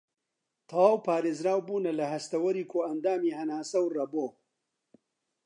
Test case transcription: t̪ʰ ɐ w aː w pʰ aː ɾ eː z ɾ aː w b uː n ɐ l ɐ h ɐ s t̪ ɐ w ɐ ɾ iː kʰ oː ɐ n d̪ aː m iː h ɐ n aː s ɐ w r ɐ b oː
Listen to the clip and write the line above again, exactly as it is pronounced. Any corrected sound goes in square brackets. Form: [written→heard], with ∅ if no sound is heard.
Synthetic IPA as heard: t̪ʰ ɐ w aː w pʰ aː ɾ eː z ɾ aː w b uː n ɐ l ɐ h ɐ s t̪ ɐ w ɐ ɾ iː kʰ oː ɐ n d̪ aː m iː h ɐ n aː s ɐ w r ɐ b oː